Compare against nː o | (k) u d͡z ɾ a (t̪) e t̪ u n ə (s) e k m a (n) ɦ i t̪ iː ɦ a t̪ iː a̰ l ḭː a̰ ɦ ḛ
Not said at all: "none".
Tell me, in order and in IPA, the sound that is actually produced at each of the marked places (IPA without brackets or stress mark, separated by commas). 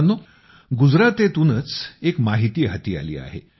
ɡ, t̪, t͡s, none